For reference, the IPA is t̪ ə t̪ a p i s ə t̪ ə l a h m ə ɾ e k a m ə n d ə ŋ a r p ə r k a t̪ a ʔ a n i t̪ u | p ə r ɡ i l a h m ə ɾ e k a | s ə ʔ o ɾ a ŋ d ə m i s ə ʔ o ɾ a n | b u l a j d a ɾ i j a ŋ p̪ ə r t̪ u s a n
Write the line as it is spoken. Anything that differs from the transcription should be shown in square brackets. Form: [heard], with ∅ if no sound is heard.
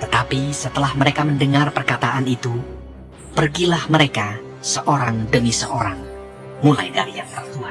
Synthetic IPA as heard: t̪ ə t̪ a p i s ə t̪ ə l a h m ə ɾ e k a m ə n d ə ŋ a r p ə r k a t̪ a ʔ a n i t̪ u | p ə r ɡ i l a h m ə ɾ e k a | s ə ʔ o ɾ a ŋ d ə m i s ə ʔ o ɾ a [ŋ] | [m] u l a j d a ɾ i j a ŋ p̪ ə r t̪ u [∅] a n